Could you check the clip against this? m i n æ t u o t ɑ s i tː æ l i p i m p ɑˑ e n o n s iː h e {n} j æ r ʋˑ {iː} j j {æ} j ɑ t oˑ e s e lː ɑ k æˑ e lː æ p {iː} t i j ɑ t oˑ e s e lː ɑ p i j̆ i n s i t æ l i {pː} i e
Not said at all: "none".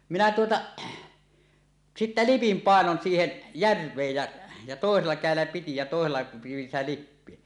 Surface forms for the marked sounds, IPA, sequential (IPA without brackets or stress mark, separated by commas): n, eː, æ, i, pː